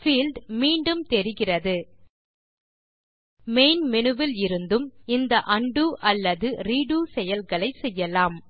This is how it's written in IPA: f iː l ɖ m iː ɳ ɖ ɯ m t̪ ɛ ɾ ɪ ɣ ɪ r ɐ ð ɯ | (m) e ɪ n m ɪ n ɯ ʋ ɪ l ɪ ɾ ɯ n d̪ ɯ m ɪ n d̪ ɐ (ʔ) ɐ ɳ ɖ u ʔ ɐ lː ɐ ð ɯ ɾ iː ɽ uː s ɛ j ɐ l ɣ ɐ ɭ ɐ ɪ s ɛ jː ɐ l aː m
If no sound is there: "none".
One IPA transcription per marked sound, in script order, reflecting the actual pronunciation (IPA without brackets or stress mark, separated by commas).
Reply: m, ʔ